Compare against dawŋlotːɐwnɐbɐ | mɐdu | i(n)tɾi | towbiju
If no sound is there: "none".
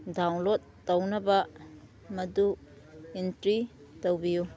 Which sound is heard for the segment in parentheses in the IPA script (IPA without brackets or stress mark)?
n